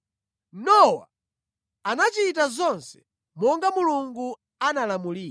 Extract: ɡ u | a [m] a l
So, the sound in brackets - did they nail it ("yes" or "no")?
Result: no